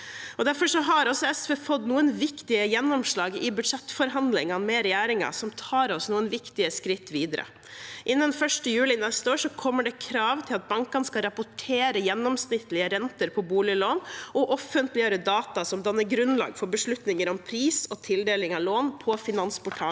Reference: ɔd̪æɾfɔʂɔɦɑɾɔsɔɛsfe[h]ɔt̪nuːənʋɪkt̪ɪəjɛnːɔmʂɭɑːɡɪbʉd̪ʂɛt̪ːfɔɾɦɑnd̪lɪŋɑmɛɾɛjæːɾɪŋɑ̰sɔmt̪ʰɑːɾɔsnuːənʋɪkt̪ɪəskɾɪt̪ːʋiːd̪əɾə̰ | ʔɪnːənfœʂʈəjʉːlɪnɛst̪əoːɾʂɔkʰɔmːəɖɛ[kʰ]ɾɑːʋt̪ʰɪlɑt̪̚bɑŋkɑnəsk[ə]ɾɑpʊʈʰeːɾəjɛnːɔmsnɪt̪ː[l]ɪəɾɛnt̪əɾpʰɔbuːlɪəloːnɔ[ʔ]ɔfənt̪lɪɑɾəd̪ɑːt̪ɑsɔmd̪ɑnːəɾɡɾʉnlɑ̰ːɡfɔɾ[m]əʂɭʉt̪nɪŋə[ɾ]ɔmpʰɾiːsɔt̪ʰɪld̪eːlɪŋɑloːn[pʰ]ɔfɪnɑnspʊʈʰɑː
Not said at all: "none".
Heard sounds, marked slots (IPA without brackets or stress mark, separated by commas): f, kʰ, ɑ, l, ʔ, b, ɾ, pʰ